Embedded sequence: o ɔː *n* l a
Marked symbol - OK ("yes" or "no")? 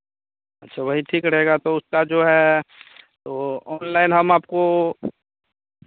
yes